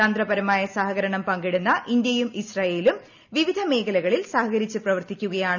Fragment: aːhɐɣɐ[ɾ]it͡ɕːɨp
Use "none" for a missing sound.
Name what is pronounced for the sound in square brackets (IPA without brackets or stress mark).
ɾ